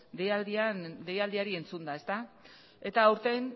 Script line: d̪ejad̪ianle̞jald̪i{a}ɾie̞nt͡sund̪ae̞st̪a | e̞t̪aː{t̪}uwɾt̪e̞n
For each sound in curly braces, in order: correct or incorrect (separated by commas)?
correct, incorrect